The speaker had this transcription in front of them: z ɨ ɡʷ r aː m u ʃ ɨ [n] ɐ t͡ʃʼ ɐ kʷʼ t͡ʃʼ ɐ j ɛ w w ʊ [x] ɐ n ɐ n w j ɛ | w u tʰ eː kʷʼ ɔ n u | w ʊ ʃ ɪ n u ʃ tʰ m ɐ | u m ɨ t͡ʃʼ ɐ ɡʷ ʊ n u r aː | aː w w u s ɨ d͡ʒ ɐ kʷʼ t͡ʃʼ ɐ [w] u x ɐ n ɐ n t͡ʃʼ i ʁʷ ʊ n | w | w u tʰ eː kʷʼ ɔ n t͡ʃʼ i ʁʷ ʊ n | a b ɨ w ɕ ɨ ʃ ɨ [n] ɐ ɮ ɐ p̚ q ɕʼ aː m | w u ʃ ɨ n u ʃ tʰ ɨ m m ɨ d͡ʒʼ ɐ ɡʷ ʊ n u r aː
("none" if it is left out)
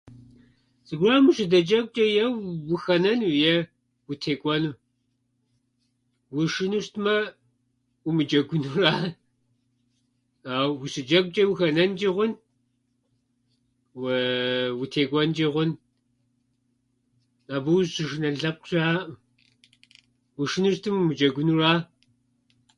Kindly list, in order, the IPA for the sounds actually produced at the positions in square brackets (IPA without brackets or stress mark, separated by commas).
d, x, w, n